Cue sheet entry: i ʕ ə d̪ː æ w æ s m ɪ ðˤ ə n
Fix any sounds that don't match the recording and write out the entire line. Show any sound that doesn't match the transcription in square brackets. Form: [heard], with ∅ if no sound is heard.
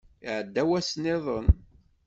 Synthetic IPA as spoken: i ʕ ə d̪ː æ w æ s [n] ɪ ðˤ ə n